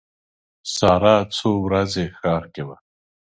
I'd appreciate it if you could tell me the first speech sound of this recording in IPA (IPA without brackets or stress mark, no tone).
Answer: s